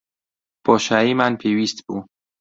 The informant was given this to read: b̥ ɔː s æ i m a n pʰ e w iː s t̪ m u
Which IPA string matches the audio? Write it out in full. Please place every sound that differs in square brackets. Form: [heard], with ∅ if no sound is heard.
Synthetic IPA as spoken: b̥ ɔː [ʃ] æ i m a n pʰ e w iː s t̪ [b] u